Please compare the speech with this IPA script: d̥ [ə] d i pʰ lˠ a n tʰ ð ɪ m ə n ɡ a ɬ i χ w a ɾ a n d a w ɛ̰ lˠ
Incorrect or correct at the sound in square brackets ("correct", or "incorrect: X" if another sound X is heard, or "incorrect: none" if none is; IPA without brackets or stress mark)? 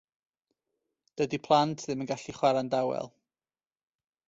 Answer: correct